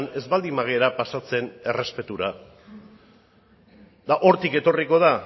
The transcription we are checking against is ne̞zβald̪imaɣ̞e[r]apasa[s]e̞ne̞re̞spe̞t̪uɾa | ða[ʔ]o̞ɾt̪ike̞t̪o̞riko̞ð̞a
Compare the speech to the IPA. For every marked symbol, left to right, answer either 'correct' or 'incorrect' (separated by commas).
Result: incorrect, incorrect, correct